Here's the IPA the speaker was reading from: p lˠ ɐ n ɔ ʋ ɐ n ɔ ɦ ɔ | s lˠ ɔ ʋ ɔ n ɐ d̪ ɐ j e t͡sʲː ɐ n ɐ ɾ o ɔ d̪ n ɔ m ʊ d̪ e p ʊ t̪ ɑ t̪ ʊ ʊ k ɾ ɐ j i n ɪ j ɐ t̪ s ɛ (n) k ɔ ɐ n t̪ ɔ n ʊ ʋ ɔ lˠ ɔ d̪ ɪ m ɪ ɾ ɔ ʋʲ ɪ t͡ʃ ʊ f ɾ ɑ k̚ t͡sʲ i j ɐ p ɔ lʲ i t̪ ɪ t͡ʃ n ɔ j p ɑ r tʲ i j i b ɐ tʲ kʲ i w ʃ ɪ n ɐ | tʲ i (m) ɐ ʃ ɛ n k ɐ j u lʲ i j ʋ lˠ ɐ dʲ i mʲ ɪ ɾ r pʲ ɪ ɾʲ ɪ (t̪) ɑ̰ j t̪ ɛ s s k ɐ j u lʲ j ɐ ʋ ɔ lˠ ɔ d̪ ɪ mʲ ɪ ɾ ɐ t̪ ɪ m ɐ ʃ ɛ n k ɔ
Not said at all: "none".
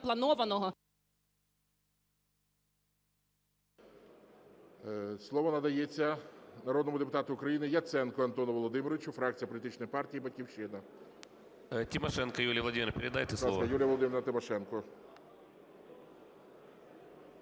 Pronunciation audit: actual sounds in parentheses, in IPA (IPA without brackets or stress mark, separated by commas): n, m, d̪